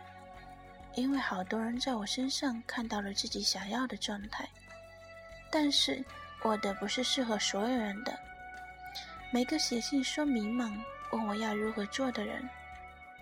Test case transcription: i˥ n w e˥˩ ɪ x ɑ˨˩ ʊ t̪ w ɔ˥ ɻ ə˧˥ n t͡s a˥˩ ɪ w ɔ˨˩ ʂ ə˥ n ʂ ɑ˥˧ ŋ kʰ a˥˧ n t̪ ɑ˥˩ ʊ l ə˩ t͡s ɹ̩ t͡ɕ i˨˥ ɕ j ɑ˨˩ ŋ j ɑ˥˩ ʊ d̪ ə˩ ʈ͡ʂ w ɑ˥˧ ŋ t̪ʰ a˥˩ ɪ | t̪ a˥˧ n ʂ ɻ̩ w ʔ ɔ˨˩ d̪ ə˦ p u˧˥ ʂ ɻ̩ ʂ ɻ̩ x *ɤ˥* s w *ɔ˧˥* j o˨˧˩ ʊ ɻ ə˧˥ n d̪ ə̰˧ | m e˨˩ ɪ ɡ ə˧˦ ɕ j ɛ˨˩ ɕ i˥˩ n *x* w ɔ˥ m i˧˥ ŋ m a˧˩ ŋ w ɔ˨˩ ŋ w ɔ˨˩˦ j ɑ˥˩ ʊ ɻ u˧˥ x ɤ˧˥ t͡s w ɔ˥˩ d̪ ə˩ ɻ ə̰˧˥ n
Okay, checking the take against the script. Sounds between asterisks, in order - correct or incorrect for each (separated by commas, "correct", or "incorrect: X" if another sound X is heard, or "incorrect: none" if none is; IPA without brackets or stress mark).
incorrect: ɤ˧˥, correct, incorrect: ʂ